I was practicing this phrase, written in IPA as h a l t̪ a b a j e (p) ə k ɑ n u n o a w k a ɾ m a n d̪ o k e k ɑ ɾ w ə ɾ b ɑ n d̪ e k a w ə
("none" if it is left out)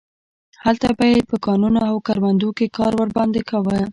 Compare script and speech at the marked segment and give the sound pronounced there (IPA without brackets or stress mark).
p